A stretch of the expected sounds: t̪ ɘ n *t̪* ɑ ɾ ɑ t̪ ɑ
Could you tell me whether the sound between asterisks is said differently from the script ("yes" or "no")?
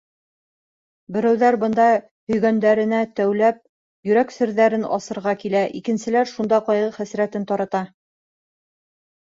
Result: no